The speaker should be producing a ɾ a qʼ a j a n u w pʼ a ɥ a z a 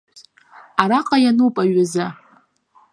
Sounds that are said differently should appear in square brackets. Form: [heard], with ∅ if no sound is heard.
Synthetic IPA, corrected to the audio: a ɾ a qʼ a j a n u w pʼ a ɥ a z a